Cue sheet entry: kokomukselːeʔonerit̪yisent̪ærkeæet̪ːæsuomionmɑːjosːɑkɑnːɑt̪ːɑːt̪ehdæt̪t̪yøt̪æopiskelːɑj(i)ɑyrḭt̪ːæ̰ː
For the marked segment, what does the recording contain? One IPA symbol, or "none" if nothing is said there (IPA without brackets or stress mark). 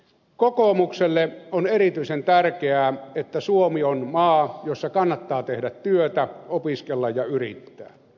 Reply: j